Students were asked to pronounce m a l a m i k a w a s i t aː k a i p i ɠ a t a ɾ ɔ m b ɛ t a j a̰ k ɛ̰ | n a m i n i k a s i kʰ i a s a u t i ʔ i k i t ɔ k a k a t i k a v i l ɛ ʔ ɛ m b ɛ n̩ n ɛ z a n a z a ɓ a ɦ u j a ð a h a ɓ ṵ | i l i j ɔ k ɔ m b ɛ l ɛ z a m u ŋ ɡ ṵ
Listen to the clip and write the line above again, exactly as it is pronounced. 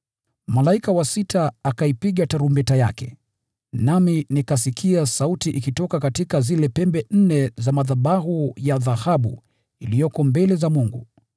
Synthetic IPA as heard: m a l a i k a w a s i t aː k a i p i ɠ a t a ɾ u m b ɛ t a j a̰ k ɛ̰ | n a m i n i k a s i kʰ i a s a u t i ʔ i k i t ɔ k a k a t i k a z i l ɛ p ɛ m b ɛ n̩ n ɛ z a m a ð a ɓ a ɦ u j a ð a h a ɓ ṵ | i l i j ɔ k ɔ m b ɛ l ɛ z a m u ŋ ɡ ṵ